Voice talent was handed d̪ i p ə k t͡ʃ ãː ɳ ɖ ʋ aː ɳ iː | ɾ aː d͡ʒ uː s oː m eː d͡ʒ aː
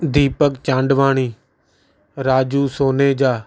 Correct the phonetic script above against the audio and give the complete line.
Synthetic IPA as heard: d̪ iː p ə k t͡ʃ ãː ɳ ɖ ʋ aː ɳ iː | ɾ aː d͡ʒ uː s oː n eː d͡ʒ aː